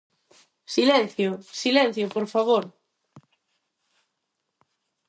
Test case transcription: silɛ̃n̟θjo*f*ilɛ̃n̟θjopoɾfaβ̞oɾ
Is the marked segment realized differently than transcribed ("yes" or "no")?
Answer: yes